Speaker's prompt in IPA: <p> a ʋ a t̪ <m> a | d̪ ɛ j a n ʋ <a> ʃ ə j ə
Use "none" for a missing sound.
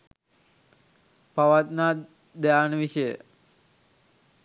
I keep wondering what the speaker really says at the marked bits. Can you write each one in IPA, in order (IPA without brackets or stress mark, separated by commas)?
p, n, i